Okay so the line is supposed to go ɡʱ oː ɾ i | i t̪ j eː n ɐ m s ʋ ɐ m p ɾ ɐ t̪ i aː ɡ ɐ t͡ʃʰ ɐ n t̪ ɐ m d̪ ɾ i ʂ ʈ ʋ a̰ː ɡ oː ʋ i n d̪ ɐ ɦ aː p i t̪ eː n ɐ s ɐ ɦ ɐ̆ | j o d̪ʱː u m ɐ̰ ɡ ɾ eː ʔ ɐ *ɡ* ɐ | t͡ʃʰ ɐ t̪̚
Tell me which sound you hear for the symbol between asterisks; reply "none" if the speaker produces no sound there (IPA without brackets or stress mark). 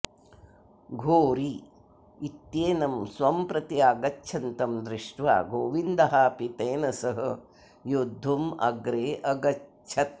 ɡ